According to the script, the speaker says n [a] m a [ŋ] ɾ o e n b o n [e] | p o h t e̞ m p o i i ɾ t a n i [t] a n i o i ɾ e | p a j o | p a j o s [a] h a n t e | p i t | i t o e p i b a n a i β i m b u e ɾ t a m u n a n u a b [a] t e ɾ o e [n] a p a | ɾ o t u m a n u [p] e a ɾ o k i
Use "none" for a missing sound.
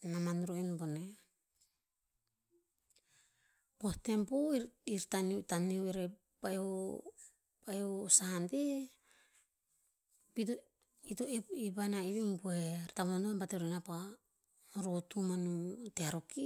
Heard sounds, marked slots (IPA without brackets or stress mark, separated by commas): a, n, e, t, a, a, n, t